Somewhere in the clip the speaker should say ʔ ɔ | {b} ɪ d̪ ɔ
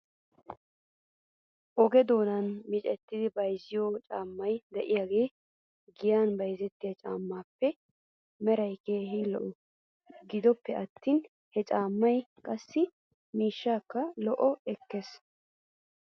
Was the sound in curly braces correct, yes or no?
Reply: no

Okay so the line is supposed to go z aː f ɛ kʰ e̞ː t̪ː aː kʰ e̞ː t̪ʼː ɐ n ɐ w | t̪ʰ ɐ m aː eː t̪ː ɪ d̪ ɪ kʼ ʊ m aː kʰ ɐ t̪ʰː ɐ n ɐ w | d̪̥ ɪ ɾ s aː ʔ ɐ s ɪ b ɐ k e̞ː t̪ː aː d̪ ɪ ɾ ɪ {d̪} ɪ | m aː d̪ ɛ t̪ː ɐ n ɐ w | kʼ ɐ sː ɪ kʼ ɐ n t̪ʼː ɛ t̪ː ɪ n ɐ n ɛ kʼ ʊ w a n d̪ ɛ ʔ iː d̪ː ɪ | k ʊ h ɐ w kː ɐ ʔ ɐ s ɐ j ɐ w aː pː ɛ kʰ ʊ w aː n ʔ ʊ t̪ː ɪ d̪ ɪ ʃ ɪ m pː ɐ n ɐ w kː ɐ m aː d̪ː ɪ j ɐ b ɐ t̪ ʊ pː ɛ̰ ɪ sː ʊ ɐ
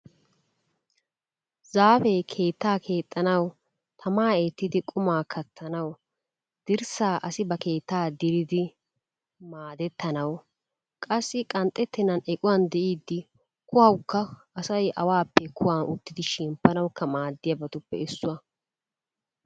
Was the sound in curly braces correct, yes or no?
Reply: yes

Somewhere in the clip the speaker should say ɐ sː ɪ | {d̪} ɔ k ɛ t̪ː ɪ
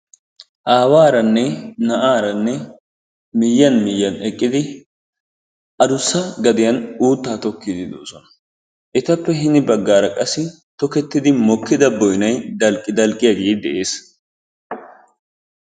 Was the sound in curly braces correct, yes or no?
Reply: no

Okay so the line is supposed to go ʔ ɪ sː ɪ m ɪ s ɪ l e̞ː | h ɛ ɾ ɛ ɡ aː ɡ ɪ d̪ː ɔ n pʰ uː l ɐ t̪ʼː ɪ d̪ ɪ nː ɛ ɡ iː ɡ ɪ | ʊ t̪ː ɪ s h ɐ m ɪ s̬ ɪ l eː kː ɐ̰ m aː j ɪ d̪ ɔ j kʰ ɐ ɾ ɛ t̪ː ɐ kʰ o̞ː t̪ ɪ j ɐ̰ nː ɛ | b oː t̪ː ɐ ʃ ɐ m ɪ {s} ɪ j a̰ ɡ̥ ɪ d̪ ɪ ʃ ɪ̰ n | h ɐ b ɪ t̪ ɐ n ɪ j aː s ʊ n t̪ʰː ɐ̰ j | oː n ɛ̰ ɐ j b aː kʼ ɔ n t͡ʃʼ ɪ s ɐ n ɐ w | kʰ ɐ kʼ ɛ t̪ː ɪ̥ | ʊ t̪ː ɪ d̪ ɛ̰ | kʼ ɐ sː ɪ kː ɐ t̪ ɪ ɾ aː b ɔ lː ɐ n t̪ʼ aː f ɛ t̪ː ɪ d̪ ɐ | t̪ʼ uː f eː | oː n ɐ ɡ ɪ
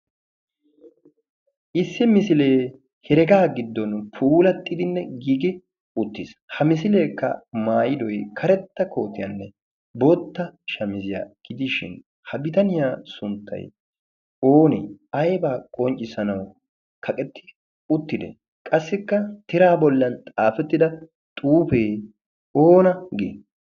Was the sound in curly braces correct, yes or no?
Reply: no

